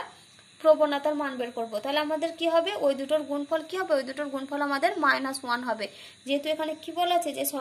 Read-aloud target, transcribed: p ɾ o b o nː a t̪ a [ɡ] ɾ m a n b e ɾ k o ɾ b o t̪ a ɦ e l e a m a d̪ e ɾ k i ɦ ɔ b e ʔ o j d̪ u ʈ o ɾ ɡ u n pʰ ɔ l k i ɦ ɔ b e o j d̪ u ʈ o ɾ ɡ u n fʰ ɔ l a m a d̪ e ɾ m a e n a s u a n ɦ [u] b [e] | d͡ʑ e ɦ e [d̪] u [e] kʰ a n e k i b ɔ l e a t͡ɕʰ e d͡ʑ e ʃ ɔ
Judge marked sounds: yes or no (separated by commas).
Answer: no, no, yes, no, yes